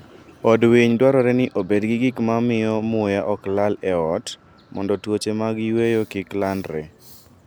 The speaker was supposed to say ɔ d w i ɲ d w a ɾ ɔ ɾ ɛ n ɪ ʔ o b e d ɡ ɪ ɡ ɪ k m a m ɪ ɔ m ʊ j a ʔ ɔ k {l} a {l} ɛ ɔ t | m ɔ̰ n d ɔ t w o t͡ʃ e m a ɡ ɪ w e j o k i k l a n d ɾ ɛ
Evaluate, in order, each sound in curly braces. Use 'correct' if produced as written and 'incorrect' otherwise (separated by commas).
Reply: correct, correct